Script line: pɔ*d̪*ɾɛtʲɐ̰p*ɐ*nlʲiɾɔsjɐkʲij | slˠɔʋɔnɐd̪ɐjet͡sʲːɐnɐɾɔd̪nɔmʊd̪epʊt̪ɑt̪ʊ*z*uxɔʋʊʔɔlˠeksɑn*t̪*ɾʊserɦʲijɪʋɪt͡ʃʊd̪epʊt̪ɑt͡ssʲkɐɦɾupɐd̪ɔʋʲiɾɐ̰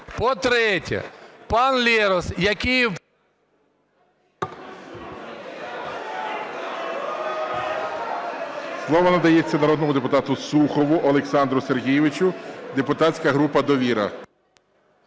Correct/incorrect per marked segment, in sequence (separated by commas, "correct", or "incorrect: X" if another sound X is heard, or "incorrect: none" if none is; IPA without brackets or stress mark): incorrect: t̪, incorrect: ɑ, incorrect: s, incorrect: d̪